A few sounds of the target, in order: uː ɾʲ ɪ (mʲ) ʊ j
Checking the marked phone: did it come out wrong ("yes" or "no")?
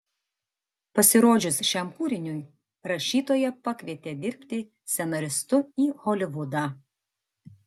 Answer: yes